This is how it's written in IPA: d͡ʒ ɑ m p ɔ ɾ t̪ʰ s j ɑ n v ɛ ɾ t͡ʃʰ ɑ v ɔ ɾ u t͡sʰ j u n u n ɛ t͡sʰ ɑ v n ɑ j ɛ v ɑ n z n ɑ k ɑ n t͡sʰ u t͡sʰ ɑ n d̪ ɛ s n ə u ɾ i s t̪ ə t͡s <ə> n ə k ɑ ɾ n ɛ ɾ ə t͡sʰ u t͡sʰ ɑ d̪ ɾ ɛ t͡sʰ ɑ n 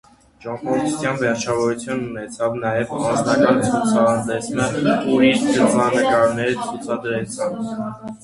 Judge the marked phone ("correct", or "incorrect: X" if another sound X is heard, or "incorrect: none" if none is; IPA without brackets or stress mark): incorrect: ɑ